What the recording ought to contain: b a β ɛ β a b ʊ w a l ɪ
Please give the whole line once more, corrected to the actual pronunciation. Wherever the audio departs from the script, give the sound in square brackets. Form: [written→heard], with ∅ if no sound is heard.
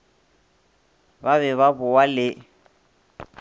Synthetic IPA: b a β ɛ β a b ʊ w a l ɪ